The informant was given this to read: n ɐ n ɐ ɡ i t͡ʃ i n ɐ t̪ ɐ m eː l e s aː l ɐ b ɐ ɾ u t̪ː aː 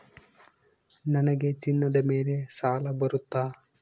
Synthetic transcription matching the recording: n ɐ n ɐ ɡ e t͡ʃ i nː ɐ d̪ ɐ m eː l e s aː l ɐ b ɐ ɾ u t̪ː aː